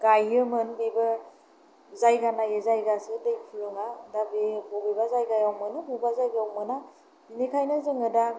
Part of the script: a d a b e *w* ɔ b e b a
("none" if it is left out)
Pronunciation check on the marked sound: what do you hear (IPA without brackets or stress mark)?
b